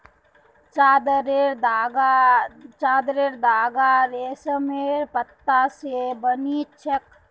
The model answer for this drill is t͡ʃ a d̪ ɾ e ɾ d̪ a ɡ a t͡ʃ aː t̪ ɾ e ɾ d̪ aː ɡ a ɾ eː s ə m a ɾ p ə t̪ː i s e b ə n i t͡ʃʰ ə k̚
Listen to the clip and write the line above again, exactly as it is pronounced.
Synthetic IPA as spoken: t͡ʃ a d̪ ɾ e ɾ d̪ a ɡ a t͡ʃ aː d̪ ɾ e ɾ d̪ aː ɡ a ɾ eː s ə m e ɾ p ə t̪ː a s e b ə n i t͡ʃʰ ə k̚